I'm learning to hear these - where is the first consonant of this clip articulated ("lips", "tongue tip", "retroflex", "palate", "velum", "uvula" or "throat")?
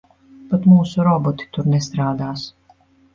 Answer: lips